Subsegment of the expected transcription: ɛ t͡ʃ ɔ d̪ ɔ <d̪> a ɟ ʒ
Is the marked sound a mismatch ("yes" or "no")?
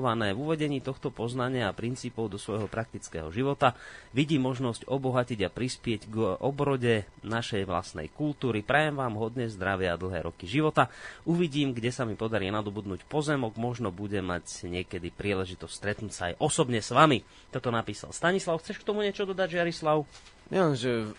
no